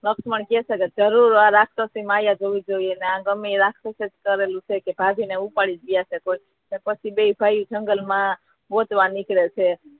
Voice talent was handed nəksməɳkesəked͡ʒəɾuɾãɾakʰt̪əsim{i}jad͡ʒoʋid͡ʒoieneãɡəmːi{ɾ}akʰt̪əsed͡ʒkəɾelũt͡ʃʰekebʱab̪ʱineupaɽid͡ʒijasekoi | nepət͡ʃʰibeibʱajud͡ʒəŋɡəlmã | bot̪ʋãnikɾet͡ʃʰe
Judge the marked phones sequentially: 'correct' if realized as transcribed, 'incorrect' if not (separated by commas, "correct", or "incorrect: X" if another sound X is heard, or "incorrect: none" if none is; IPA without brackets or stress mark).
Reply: incorrect: a, correct